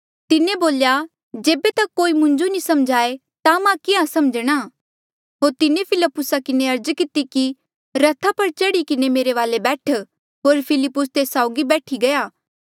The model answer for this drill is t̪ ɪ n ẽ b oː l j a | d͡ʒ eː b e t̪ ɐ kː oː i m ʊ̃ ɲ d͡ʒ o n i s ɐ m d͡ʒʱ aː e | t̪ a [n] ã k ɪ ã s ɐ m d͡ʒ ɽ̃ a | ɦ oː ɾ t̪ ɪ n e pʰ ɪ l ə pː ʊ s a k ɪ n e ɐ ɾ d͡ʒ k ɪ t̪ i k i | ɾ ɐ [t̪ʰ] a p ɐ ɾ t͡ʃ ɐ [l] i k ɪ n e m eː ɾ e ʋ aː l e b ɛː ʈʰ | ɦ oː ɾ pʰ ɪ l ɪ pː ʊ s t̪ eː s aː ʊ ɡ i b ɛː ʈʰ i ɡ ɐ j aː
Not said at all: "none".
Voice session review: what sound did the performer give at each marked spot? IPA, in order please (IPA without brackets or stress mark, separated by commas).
m, t̪ʰ, ɽ